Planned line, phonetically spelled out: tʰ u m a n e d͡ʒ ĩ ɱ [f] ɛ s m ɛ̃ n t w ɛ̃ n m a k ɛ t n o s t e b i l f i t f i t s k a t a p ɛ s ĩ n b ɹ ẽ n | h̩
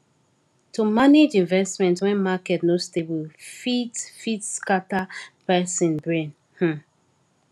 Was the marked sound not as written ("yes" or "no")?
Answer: yes